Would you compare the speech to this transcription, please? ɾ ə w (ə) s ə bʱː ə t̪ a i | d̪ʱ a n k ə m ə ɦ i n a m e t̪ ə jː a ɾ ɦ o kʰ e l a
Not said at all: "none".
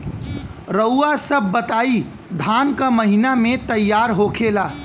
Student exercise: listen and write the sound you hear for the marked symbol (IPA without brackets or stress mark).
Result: a